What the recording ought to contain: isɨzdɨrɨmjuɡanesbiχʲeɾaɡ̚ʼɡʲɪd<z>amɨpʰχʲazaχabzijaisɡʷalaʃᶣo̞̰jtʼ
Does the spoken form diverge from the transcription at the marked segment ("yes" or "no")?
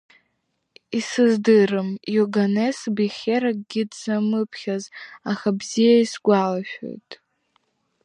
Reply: no